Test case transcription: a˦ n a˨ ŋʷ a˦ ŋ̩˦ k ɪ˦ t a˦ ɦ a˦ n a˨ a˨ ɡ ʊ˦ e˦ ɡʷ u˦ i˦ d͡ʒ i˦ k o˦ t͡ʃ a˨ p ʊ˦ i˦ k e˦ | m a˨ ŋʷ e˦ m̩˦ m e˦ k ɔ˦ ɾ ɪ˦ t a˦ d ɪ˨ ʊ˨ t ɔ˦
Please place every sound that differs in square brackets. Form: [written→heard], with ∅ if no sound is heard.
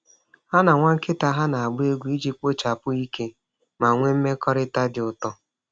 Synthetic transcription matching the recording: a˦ n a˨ ŋʷ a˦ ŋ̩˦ k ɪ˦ t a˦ ɦ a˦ n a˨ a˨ [ɡ→ɡ͡b] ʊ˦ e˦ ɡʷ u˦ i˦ d͡ʒ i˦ [k→k͡p] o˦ t͡ʃ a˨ p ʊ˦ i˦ k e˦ | m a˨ ŋʷ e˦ m̩˦ m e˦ k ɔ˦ ɾ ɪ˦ t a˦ d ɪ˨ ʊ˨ t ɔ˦